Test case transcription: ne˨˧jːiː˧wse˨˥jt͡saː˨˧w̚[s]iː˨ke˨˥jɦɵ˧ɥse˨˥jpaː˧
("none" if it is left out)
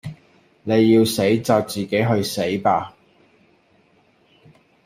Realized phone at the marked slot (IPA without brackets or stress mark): t͡s